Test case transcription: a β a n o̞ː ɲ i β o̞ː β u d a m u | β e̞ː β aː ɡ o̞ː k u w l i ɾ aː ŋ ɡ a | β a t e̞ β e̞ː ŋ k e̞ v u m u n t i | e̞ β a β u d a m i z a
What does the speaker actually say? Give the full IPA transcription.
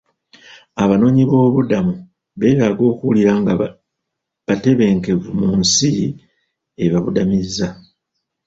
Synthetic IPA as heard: a β a n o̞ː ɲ i β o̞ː β u d a m u | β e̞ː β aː ɡ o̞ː k u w l i ɾ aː ŋ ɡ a | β a t e̞ β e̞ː ŋ k e̞ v u m u n s i | e̞ β a β u d a m i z a